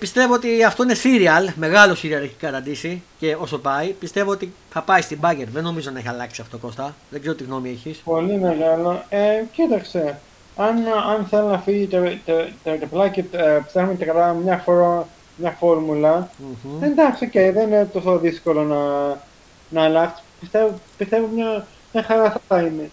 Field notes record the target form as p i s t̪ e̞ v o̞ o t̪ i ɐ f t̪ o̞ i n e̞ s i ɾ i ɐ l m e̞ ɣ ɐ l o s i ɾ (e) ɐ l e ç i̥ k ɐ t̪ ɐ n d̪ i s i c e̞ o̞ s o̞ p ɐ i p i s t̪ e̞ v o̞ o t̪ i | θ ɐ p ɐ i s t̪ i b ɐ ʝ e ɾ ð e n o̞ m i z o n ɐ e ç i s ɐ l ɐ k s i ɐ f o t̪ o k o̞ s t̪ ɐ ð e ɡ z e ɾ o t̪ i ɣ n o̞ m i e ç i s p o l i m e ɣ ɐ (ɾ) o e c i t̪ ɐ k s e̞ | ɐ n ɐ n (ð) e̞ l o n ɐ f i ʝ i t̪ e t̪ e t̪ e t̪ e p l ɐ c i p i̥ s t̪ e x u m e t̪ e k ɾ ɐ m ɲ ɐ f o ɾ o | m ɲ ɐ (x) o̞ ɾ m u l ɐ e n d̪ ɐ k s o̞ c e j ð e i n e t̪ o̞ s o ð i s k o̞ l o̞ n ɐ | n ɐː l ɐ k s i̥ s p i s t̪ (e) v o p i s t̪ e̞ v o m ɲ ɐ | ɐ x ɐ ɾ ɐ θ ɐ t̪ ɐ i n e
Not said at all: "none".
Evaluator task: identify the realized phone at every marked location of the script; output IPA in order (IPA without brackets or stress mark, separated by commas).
i, l, θ, f, e